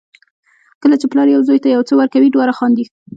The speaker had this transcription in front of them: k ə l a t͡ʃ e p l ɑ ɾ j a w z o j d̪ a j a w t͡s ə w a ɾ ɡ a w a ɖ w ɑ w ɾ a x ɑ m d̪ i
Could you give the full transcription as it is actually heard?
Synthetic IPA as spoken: k ə l a t͡ʃ e p l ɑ ɾ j a w z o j t̪ a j a w t͡s ə w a ɾ k a w i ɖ w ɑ ɾ a x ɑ n d̪ i

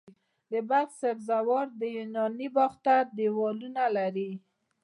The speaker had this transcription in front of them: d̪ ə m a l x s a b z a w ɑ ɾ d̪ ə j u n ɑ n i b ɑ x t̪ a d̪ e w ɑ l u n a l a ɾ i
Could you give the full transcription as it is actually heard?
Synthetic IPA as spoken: d̪ ə b a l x s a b z a w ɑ ɾ d̪ ə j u n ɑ n i b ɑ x t̪ a d̪ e w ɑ l u n a l a ɾ i

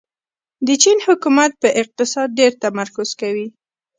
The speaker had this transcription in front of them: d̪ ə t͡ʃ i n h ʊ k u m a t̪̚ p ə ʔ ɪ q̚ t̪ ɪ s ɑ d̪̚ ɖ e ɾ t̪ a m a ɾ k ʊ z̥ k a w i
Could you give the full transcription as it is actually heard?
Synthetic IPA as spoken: d̪ ə t͡ʃ i n h ʊ k u m a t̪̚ p ə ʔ ɪ q̚ t̪ ɪ s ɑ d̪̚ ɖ e ɾ t̪ a m a ɾ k ʊ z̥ k a w i

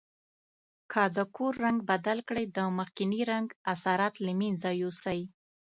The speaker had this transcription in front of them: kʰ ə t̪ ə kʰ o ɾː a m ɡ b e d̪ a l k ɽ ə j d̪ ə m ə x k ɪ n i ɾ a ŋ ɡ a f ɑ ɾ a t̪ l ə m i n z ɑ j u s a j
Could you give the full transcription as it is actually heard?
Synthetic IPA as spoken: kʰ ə d̪ ə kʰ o ɾː a ŋ ɡ b a d̪ a l k ɽ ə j d̪ ə m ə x k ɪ n i ɾ a ŋ ɡ a s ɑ ɾ a t̪ l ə m i n z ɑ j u s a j

